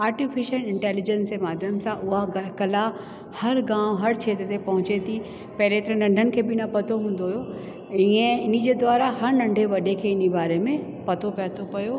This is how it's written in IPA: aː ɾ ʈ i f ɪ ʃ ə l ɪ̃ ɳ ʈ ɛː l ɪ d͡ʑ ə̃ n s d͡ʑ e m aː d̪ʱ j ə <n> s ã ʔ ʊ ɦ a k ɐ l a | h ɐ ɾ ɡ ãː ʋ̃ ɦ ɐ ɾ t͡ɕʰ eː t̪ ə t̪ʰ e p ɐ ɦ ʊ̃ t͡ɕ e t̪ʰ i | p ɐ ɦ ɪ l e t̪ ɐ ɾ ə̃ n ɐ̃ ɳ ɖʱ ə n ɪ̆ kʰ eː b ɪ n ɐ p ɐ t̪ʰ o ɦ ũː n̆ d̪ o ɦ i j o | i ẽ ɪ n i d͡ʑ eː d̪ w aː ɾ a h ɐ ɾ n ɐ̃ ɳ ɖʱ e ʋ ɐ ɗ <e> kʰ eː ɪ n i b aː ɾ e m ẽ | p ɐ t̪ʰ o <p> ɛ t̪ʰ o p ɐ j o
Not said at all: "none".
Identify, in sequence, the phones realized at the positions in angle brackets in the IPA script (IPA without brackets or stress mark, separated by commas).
m, e, p